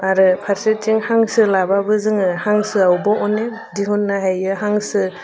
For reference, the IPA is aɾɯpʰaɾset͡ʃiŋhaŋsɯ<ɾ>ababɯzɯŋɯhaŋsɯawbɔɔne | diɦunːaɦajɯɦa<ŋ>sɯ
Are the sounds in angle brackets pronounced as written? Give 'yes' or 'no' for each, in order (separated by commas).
no, yes